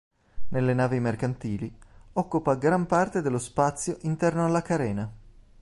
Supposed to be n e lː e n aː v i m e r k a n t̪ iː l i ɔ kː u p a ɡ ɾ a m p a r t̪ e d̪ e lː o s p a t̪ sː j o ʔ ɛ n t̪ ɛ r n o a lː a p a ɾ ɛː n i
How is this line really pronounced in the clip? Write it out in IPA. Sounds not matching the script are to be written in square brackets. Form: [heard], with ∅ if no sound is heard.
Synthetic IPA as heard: n e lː e n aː v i m e r k a n t̪ iː l i ɔ kː u p a ɡ ɾ a m p a r t̪ e d̪ e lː o s p a t̪ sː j o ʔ [i] n t̪ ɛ r n o a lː a [k] a ɾ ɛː n [a]